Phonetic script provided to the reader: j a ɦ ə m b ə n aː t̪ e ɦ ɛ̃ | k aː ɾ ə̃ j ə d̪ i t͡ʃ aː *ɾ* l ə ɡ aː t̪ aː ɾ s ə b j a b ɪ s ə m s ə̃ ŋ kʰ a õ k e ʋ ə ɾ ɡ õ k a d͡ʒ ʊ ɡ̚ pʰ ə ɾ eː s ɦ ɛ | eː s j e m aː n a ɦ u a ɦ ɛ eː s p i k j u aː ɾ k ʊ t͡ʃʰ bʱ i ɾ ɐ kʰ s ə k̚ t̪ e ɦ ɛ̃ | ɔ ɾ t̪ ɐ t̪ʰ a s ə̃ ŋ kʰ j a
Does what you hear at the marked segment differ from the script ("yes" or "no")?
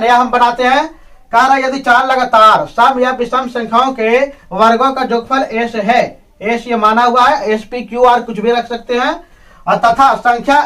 no